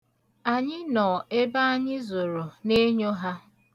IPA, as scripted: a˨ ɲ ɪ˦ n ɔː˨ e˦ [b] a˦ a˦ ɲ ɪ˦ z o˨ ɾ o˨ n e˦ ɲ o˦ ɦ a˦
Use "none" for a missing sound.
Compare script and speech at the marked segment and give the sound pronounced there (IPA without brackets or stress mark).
b